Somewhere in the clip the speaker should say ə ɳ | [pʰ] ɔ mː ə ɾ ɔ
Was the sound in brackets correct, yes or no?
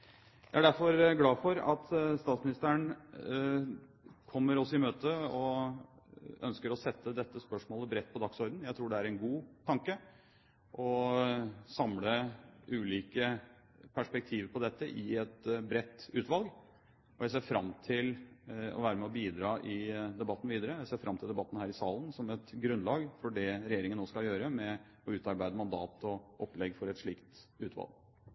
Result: no